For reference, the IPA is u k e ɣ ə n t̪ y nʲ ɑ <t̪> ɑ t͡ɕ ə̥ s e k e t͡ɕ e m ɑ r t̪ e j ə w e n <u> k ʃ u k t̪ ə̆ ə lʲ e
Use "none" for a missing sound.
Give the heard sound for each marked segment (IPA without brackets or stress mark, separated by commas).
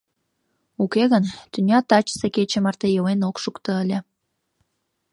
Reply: t̪, o